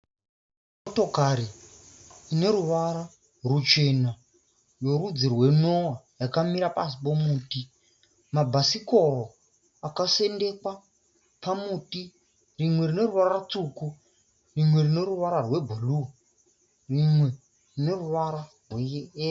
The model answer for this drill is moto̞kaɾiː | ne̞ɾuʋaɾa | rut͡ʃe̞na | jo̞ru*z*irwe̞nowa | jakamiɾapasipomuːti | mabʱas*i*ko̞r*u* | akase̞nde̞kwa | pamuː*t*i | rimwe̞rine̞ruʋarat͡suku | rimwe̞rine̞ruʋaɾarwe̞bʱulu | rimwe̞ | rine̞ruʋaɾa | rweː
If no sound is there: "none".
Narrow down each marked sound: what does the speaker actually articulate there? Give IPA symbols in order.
d͡z, i, o, t

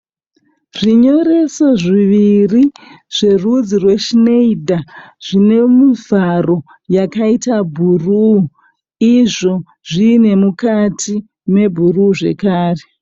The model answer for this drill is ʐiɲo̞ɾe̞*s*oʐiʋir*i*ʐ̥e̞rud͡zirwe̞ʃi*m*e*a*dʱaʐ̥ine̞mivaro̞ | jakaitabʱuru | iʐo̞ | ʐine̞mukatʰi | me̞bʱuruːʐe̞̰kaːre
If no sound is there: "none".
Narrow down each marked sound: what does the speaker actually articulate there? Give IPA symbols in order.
s, i, n, i

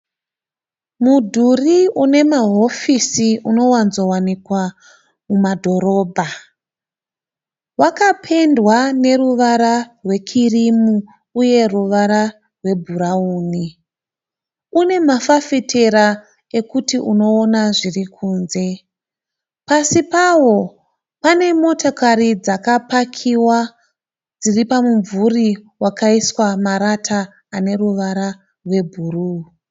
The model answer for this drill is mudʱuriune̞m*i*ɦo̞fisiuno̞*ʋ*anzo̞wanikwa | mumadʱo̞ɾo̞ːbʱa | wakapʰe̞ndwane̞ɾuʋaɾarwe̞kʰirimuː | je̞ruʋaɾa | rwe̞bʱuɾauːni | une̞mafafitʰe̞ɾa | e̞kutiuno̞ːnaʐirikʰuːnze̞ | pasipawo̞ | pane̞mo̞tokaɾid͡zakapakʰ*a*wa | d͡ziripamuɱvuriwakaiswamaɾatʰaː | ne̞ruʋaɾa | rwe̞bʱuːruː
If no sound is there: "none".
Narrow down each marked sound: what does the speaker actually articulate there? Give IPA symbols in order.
a, w, i

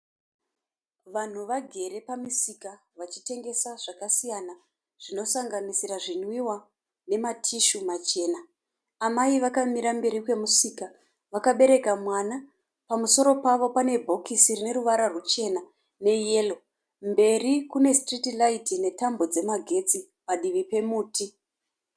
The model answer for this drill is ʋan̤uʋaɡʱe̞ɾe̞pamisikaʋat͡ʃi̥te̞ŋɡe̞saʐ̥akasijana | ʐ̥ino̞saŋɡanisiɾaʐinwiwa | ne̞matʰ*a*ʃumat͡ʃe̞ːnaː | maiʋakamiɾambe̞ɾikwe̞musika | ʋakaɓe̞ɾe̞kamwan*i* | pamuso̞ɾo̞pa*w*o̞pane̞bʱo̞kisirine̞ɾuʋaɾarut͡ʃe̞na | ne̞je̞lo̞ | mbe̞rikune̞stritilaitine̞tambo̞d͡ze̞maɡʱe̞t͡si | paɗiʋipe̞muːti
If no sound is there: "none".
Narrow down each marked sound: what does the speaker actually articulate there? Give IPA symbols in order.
i, a, ʋ

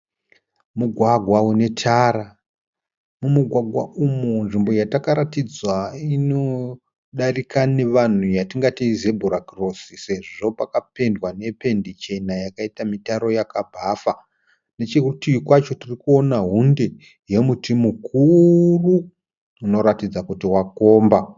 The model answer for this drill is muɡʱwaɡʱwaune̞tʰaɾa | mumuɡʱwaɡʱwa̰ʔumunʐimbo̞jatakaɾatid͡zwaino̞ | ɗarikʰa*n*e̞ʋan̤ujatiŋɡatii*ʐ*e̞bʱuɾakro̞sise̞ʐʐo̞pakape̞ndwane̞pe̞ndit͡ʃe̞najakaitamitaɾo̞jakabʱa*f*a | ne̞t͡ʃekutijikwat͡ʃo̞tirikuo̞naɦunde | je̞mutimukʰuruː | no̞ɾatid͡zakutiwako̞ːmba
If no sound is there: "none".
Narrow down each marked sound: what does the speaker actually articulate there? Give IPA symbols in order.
n, z, f

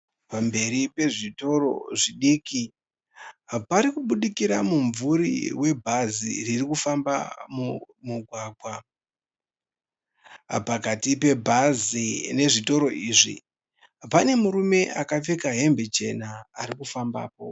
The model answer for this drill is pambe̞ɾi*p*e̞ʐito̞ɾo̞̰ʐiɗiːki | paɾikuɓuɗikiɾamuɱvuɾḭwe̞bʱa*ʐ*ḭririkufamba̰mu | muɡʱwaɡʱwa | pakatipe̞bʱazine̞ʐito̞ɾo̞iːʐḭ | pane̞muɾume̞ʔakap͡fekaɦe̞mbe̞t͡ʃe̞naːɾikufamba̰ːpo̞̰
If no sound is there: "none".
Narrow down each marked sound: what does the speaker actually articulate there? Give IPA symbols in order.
p, z

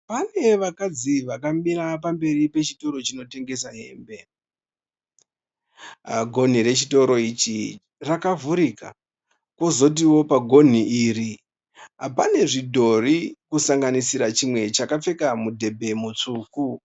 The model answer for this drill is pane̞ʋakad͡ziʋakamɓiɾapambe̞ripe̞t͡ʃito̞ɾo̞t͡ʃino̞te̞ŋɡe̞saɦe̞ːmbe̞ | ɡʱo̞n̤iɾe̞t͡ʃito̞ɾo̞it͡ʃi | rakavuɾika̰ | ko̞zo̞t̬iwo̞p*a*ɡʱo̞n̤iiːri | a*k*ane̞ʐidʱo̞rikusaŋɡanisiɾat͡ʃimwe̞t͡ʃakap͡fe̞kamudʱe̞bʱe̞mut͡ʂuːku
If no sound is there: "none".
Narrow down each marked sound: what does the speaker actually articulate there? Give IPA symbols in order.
a, p

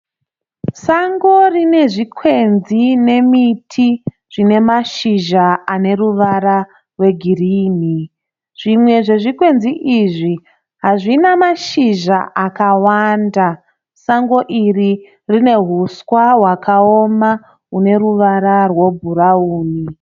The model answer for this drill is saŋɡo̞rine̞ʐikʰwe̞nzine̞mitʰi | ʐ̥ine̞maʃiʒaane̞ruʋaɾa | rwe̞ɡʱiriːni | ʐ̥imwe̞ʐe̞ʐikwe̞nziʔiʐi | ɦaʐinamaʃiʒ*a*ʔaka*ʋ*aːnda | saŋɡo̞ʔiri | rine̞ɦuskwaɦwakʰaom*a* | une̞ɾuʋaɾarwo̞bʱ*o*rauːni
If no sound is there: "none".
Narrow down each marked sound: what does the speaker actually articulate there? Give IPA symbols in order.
a, w, a, u

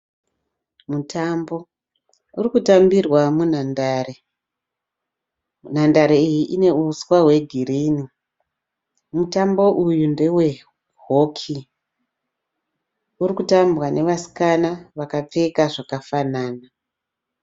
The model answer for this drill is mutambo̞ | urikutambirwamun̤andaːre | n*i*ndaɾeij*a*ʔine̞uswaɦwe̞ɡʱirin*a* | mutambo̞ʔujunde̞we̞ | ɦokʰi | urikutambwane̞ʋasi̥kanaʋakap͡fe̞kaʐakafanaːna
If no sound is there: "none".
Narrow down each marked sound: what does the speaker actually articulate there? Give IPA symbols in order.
a, i, i

